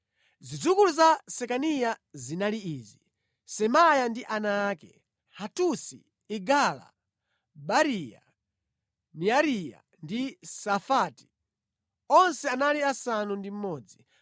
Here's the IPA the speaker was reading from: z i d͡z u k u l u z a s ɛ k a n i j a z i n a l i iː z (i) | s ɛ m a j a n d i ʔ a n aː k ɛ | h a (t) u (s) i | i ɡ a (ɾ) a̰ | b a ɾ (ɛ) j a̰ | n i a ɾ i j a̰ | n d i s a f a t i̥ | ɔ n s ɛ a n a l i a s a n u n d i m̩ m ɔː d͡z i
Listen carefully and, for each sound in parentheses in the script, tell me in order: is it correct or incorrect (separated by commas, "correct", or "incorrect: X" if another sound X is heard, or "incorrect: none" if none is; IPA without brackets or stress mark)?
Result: correct, correct, correct, incorrect: l, incorrect: i